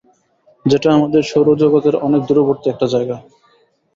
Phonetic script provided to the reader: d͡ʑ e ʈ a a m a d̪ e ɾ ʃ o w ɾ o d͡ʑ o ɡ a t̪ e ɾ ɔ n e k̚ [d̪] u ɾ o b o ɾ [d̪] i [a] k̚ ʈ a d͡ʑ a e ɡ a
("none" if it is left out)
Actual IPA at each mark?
d̪, t̪, ɛ

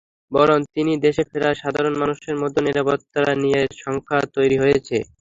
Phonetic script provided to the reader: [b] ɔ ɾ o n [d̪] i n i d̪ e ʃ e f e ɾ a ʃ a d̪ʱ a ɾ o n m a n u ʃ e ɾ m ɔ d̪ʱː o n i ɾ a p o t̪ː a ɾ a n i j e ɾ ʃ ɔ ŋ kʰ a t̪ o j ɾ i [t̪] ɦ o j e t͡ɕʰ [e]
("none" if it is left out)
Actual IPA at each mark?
b, t̪, none, e

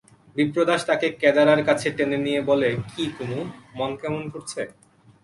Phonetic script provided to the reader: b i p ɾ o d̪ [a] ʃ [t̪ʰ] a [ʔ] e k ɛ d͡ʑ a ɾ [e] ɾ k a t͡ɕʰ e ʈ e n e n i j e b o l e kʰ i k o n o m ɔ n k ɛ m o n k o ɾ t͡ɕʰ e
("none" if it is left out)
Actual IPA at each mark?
a, t̪, k, a

